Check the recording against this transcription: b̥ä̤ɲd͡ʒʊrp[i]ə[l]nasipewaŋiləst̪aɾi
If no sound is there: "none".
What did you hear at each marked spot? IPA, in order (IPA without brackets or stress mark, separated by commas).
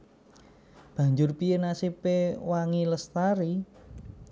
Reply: i, none